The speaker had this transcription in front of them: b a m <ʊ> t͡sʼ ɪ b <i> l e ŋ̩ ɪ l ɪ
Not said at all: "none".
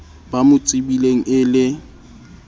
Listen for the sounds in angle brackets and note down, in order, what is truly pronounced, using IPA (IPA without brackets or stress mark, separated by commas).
ʊ, i